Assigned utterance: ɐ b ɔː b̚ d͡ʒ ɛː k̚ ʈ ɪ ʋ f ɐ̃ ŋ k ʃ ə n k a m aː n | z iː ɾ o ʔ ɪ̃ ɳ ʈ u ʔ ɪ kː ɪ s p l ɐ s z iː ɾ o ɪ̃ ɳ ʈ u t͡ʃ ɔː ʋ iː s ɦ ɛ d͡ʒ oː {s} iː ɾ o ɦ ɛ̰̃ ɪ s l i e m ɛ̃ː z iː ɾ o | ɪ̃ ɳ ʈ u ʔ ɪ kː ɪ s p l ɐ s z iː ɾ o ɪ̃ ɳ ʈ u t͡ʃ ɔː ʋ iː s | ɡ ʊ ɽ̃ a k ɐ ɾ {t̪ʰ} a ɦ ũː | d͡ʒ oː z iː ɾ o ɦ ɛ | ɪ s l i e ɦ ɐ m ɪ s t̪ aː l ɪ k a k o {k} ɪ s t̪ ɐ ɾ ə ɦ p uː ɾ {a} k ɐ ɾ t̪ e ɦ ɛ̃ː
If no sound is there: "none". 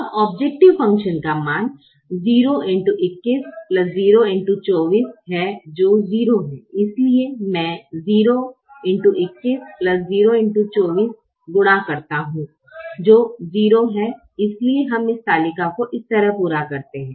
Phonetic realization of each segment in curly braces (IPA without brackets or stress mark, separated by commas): z, t̪, ʔ, a